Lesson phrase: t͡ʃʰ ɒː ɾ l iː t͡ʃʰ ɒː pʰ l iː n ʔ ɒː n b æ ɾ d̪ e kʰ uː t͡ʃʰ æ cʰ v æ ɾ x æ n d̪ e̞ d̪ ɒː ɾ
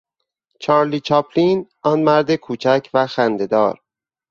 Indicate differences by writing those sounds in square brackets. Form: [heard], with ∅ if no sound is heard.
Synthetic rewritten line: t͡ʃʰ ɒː ɾ l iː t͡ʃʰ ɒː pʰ l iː n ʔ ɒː n [m] æ ɾ d̪ e kʰ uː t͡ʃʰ æ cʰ v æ [∅] x æ n d̪ e̞ d̪ ɒː ɾ